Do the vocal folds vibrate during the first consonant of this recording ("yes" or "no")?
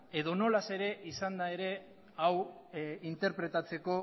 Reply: yes